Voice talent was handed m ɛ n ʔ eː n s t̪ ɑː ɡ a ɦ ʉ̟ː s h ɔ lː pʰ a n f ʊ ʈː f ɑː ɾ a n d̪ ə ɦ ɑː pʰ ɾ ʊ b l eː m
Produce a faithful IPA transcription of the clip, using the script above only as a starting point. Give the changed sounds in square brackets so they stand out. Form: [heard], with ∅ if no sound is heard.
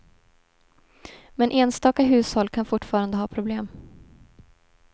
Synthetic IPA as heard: m ɛ n ʔ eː n s t̪ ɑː [k] a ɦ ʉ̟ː s h ɔ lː [kʰ] a n f ʊ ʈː f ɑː ɾ a n d̪ ə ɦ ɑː pʰ ɾ ʊ b l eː m

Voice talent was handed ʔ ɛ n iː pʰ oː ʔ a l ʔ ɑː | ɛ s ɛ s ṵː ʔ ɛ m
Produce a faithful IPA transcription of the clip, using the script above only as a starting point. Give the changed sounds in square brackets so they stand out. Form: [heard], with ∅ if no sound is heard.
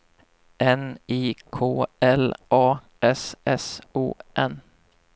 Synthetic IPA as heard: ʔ ɛ n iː [kʰ] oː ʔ [ɛ] l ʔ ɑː | ɛ s ɛ s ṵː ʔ ɛ [n]

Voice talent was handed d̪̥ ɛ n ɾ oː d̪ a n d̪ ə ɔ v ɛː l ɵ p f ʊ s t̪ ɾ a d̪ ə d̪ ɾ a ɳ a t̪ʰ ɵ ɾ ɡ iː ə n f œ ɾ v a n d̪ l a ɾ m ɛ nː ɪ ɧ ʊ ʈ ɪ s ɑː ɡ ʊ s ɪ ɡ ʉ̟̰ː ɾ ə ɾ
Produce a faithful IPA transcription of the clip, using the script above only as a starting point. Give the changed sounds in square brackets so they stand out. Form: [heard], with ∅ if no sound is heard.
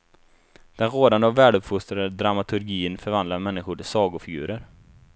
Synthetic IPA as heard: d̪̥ ɛ n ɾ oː d̪ a n d̪ ə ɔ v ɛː l ɵ p f ʊ s t̪ ɾ a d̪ ə d̪ ɾ a [m] a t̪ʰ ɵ ɾ ɡ iː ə n f œ ɾ v a n d̪ l a ɾ m ɛ nː ɪ ɧ ʊ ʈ ɪ s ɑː ɡ ʊ [f] ɪ ɡ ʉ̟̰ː ɾ ə ɾ

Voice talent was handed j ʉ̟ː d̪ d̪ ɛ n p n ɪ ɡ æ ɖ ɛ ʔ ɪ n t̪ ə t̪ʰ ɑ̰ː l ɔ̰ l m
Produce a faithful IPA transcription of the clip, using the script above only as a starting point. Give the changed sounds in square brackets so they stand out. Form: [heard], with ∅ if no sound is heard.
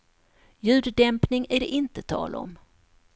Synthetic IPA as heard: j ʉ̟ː d̪ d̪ ɛ [m] p n ɪ [ŋ] æ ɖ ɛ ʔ ɪ n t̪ ə t̪ʰ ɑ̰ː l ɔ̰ [∅] m

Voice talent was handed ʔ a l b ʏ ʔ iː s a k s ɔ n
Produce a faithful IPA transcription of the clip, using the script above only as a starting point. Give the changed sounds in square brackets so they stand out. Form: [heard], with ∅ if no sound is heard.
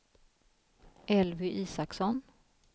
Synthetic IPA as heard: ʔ [ɛ] l [v] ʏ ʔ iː s a k s ɔ n

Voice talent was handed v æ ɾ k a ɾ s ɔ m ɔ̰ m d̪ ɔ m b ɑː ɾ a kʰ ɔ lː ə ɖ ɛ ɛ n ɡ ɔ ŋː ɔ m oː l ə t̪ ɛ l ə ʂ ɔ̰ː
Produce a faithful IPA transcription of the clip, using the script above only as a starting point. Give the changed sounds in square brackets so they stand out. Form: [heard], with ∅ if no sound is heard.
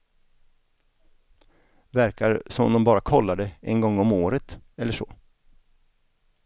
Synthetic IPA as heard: v æ ɾ k a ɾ s ɔ m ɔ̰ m d̪ ɔ m b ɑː ɾ a kʰ ɔ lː [a] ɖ ɛ ɛ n ɡ ɔ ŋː ɔ m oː [ɾ] ə t̪ ɛ [lː] ə ʂ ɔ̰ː

